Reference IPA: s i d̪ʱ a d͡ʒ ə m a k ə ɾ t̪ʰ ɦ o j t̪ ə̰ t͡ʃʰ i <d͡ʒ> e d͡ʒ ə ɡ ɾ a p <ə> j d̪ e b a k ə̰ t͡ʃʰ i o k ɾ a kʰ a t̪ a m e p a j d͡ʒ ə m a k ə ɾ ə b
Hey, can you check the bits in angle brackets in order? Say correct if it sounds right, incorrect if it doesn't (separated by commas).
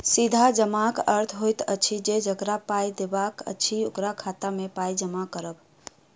correct, incorrect